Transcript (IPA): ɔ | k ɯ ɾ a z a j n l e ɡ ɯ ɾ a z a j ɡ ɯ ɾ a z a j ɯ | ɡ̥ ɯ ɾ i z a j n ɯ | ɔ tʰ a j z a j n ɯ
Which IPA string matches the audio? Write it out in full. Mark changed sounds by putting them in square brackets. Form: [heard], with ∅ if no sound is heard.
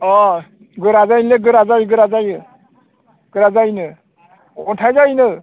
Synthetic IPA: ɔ | [ɡ] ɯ ɾ a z a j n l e ɡ ɯ ɾ a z a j ɡ ɯ ɾ a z a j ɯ | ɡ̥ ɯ ɾ [a] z a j n ɯ | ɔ tʰ a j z a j n ɯ